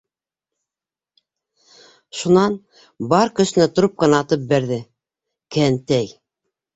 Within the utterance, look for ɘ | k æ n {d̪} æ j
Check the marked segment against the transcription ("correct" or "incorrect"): incorrect